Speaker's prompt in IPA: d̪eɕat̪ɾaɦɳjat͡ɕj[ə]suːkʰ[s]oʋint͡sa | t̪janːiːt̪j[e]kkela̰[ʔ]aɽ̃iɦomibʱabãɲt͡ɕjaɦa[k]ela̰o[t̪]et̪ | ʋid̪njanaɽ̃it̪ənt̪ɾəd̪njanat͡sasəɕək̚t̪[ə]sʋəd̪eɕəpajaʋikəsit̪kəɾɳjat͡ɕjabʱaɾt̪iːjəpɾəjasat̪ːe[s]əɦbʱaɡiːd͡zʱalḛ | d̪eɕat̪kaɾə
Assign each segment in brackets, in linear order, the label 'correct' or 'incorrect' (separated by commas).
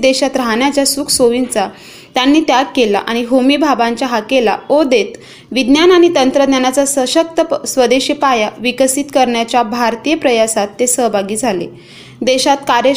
incorrect, correct, incorrect, correct, correct, incorrect, correct, correct